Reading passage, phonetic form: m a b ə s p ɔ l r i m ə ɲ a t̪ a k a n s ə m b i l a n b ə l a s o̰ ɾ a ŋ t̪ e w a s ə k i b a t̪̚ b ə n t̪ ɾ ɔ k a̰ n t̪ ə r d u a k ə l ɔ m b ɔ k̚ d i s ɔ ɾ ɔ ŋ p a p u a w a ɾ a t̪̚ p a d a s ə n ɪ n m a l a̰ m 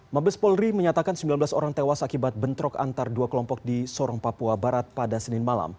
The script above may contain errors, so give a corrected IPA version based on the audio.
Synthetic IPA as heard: m a b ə s p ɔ l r i m ə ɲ a t̪ a k a n s ə m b i l a n b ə l a s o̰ ɾ a ŋ t̪ e w a s a k i b a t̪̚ b ə n t̪ ɾ ɔ k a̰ n t̪ a r d u a k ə l ɔ m p ɔ k̚ d i s ɔ ɾ ɔ ŋ p a p u a b a ɾ a t̪̚ p a d a s ə n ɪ n m a l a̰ m